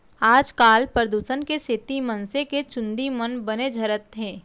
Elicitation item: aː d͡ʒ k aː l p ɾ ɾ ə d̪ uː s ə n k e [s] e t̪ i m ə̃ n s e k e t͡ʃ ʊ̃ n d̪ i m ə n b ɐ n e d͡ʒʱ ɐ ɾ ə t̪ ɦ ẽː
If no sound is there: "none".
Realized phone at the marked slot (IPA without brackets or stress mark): s